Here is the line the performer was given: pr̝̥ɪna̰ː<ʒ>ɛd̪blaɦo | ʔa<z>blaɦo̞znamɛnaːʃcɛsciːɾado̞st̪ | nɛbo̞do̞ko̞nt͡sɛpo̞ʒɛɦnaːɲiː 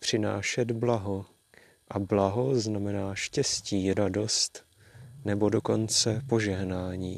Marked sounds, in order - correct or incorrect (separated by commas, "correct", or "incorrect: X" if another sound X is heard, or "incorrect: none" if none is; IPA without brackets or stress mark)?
incorrect: ʃ, incorrect: none